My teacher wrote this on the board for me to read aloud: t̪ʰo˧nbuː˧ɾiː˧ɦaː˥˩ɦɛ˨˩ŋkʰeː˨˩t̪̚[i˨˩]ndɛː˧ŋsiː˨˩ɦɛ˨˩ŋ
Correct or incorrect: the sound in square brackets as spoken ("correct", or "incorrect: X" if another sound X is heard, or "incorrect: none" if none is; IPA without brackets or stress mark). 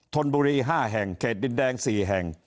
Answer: correct